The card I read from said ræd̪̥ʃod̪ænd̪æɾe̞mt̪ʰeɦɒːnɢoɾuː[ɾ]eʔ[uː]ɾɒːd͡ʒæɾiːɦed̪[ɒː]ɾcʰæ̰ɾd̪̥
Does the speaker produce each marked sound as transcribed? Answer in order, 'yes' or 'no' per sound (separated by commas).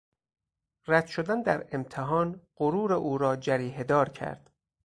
yes, yes, yes